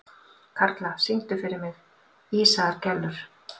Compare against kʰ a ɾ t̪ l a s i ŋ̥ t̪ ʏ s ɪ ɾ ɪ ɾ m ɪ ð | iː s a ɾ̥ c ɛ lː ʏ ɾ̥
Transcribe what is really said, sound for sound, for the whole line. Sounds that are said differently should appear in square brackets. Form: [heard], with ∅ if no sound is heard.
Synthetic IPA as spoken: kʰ a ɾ t̪ l a s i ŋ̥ t̪ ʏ [f] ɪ ɾ ɪ ɾ m ɪ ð | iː s a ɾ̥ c ɛ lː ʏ ɾ̥